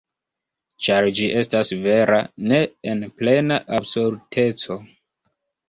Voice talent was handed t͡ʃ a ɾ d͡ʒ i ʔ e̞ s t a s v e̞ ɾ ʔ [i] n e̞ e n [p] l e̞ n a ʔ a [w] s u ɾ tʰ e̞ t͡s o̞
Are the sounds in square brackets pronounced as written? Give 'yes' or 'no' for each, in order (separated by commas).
no, yes, no